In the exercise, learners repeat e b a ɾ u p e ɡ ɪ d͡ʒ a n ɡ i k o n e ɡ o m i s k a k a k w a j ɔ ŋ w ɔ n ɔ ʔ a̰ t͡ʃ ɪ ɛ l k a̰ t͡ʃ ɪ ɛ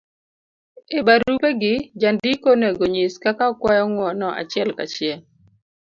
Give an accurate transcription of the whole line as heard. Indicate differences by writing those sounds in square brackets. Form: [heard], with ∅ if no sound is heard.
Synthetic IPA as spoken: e b a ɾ u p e ɡ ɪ d͡ʒ a n [d] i k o n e ɡ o [ɲ] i s k a k a k w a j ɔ ŋ w ɔ n ɔ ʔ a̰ t͡ʃ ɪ ɛ l k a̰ t͡ʃ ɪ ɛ